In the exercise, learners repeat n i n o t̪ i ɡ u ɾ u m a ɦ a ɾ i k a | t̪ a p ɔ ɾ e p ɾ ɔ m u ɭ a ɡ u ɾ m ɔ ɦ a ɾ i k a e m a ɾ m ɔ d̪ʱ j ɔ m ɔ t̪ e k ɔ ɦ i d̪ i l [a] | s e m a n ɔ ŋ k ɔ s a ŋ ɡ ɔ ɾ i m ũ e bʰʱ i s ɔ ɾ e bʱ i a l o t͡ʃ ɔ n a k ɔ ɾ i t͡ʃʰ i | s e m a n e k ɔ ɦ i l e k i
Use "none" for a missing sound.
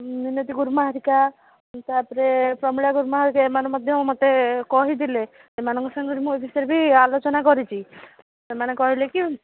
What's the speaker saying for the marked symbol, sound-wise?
e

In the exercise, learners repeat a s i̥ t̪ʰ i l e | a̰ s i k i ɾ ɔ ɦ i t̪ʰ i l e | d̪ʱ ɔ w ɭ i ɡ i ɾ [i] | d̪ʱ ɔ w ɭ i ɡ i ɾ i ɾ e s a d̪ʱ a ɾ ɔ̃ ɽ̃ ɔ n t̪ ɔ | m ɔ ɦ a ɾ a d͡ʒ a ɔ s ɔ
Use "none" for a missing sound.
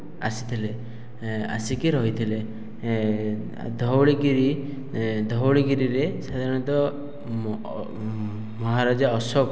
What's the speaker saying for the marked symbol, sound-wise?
i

